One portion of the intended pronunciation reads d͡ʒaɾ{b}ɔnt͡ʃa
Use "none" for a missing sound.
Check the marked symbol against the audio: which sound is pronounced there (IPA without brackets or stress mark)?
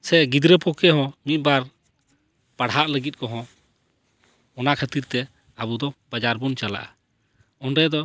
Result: b